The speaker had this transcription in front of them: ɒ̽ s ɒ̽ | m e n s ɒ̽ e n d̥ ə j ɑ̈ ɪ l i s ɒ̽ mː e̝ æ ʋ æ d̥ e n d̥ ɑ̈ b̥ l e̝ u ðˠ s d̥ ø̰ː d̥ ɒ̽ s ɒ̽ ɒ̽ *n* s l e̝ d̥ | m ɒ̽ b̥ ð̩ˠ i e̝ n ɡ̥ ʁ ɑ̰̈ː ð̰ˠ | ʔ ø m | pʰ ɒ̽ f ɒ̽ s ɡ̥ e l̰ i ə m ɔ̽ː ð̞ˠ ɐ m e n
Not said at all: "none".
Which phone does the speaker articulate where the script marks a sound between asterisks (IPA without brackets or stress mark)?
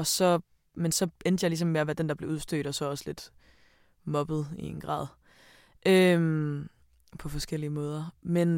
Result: none